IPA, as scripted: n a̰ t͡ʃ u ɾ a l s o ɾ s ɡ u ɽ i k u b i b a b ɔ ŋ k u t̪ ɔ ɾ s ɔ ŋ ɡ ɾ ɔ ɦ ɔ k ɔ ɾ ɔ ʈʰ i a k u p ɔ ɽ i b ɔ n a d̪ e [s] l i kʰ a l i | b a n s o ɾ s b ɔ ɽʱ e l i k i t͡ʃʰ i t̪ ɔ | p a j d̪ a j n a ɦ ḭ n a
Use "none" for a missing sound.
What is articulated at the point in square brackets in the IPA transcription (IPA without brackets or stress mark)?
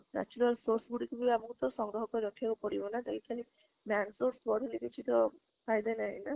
none